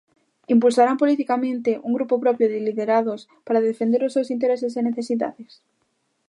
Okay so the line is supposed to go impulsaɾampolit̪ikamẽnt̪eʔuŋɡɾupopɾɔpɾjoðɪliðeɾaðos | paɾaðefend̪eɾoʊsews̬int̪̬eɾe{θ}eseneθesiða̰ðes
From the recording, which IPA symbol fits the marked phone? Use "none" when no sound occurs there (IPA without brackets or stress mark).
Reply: s